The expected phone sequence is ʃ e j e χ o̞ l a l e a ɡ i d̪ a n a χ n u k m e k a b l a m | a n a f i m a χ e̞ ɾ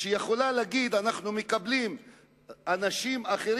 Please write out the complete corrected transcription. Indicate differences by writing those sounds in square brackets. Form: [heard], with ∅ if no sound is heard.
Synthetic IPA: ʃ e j e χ o̞ l a l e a ɡ i d̪ a n a χ n u [∅] m e k a b l [i] m | a n a [ʃ] i m a χ e̞ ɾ